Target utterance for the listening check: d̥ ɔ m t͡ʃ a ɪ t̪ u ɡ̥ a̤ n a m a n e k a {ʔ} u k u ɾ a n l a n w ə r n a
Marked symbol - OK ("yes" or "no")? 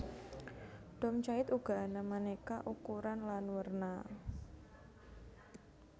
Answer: yes